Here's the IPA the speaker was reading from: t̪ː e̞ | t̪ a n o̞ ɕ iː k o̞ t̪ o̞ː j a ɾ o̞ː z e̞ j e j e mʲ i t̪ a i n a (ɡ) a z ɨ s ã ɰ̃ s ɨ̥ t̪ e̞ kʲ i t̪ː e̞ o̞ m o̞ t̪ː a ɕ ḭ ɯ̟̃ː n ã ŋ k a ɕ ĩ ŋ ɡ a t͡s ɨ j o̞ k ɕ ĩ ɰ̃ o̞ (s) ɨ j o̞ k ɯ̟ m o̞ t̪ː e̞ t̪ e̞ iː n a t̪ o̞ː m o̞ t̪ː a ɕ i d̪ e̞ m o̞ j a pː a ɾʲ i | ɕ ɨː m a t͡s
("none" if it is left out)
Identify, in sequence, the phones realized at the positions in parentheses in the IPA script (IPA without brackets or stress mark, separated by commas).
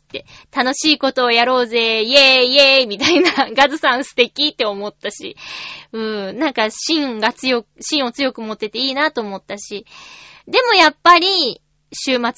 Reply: ɡ, t͡s